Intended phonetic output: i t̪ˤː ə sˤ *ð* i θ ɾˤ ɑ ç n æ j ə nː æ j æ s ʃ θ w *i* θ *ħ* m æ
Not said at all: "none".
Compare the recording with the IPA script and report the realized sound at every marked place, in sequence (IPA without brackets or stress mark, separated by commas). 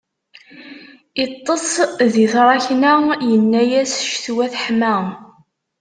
ð, æ, ħ